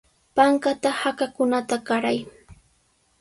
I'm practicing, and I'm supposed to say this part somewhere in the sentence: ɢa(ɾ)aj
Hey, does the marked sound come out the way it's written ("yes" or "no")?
yes